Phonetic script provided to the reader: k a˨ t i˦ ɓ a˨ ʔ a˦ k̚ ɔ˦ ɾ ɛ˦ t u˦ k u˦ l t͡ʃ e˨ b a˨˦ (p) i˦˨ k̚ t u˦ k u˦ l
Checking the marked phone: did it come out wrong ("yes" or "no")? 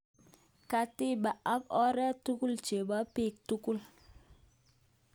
no